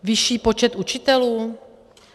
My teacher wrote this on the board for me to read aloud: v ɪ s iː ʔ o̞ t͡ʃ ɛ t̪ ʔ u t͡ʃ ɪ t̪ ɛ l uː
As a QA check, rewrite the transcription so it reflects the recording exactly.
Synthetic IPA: v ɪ ʃ iː p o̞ t͡ʃ ɛ t̪ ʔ u t͡ʃ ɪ t̪ ɛ l uː